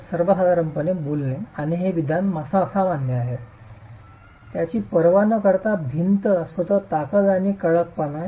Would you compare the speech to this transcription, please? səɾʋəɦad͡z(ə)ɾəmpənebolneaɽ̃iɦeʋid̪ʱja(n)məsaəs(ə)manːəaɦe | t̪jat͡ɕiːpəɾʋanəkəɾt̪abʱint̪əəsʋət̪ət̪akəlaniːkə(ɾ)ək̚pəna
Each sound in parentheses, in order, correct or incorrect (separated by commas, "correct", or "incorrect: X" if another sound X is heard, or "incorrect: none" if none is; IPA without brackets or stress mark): incorrect: a, correct, incorrect: a, incorrect: ɭ